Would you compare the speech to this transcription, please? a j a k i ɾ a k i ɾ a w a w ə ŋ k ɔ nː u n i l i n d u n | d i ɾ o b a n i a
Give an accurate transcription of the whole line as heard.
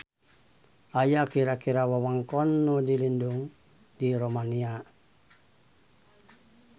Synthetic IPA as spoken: a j a k i ɾ a k i ɾ a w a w a ŋ k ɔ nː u d i l i n d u ŋ | d i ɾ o m a n i a